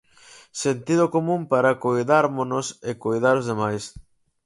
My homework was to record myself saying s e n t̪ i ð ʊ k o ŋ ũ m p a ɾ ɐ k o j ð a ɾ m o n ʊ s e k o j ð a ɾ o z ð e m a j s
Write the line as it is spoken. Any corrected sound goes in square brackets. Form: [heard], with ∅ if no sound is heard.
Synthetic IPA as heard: s e n t̪ i ð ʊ k o [m] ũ m p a ɾ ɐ k o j ð a ɾ m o n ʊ s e k o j ð a ɾ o z ð e m a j s

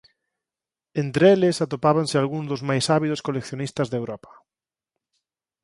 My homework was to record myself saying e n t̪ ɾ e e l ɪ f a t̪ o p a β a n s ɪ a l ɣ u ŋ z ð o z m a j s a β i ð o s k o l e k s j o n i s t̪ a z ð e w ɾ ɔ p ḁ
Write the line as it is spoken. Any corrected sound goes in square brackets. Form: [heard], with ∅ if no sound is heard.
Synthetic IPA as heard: e n t̪ ɾ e e l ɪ [s] a t̪ o p a β a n s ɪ a l ɣ u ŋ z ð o z m a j s a β i ð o s k o l e k [θ] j o n i s t̪ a z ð e w ɾ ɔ p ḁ

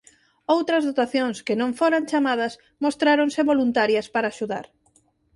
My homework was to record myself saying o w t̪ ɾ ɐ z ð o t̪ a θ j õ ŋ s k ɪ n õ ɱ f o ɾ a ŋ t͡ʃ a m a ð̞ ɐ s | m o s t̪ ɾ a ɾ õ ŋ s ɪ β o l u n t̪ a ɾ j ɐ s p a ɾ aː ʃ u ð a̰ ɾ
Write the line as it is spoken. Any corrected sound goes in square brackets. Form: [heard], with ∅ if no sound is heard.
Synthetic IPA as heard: o w t̪ ɾ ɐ z ð o t̪ a θ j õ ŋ s k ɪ n õ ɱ f o ɾ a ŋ t͡ʃ a m a ð̞ ɐ s | m o s t̪ ɾ a ɾ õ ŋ s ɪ β o l u n t̪ a ɾ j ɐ s p a ɾ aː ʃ u ð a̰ ɾ

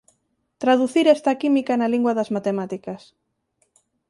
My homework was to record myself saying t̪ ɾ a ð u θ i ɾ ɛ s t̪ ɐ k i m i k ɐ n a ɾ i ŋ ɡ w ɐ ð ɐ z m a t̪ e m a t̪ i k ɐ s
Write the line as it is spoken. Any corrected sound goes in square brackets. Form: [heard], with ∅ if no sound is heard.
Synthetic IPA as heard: t̪ ɾ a ð u θ i ɾ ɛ s t̪ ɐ k i m i k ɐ n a [l] i ŋ ɡ w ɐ ð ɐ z m a t̪ e m a t̪ i k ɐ s

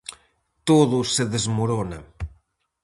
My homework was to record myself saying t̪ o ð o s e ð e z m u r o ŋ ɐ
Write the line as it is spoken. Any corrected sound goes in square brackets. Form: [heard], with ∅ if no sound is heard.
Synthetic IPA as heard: t̪ o ð [u] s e ð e z m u [ɾ] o [n] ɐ

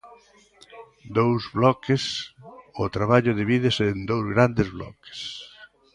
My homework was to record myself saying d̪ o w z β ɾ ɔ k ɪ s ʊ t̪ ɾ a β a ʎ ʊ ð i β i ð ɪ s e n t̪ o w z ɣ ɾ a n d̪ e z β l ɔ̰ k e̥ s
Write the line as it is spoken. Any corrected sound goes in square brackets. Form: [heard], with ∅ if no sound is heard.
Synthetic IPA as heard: d̪ o w z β [l] ɔ k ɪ s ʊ t̪ ɾ a β a ʎ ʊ ð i β i ð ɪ s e n [d̪] o w z ɣ ɾ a n d̪ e z β l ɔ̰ k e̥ s

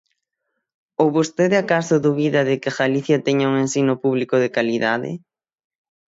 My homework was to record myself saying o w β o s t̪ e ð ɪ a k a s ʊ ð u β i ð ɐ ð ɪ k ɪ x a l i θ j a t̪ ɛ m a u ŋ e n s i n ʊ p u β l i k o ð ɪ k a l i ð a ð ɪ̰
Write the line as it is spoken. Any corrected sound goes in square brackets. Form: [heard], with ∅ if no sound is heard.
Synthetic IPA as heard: o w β o s t̪ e ð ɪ a k a s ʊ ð u β i ð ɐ ð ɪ k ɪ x a l i θ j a t̪ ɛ [ɲ] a u ŋ e n s i n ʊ p u β l i k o ð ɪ k a l i ð a ð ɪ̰

